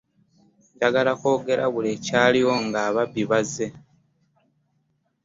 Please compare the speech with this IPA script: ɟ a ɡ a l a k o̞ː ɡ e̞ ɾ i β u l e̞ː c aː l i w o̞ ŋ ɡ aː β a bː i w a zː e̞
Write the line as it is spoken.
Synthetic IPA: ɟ a ɡ a l a k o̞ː ɡ e̞ ɾ a β u l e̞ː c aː l i w o̞ ŋ ɡ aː β a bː i β a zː e̞